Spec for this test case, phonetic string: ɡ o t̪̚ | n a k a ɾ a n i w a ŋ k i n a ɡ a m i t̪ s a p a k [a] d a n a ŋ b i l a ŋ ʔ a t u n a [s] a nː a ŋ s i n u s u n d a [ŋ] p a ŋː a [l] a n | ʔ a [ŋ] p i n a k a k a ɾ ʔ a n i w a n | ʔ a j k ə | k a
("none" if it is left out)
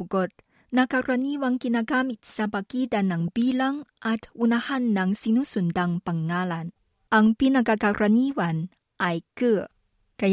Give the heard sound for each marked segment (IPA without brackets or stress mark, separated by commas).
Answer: i, h, ŋ, l, ŋ